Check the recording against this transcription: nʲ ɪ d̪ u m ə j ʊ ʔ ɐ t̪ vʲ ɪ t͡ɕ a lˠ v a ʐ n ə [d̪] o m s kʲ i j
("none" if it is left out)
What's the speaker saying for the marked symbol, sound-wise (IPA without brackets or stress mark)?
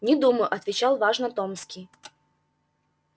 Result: t̪